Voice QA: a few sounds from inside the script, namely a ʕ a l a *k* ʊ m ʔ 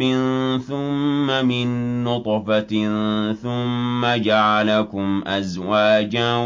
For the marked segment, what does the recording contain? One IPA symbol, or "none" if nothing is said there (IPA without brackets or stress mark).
k